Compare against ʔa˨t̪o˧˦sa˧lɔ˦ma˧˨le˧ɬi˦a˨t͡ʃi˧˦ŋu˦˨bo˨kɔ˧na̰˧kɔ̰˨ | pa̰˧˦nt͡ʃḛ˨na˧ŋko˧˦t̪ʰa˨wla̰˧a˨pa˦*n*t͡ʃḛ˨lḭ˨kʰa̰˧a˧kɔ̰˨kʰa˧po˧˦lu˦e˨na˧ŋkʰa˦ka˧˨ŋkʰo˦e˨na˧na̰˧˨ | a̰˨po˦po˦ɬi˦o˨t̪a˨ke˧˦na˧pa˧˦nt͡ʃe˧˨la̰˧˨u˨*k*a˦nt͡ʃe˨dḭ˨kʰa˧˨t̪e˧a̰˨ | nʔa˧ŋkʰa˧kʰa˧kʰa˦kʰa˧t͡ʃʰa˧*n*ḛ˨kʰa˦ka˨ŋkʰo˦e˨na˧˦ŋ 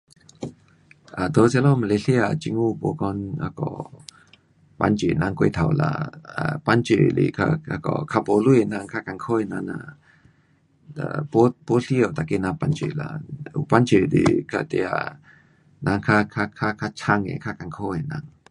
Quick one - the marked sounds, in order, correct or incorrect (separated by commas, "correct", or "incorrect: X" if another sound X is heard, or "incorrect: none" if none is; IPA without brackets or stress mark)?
correct, incorrect: p, incorrect: ŋ